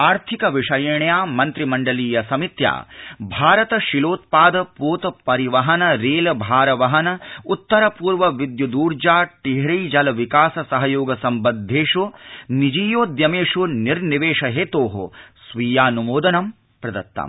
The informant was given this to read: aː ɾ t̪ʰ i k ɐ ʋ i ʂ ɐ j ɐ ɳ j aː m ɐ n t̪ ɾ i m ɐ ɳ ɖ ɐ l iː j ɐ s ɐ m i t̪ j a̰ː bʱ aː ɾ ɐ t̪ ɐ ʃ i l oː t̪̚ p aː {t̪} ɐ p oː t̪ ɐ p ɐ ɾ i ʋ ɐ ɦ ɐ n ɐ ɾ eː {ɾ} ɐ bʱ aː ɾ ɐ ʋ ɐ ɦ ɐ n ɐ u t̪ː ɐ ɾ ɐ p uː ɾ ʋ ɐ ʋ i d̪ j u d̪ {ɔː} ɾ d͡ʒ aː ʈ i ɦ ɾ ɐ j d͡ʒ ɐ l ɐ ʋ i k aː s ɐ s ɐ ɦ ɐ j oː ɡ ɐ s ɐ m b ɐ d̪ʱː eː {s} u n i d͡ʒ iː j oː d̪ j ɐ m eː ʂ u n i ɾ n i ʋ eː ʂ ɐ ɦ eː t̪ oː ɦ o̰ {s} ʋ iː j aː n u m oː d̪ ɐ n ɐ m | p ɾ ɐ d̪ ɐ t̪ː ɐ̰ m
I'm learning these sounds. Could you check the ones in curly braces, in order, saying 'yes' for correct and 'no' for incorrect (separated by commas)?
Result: no, no, no, no, yes